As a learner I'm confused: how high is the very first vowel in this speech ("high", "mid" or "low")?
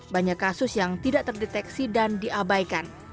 low